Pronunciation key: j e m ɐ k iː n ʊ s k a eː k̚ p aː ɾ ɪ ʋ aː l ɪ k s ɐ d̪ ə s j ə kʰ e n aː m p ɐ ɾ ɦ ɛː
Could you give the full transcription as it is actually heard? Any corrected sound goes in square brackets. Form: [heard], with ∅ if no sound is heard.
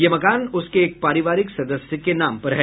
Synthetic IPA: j e m ɐ k [aː] n ʊ s k [e] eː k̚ p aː ɾ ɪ ʋ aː [ɾ] ɪ k s ɐ d̪ ə s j ə [k] e n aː m p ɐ ɾ ɦ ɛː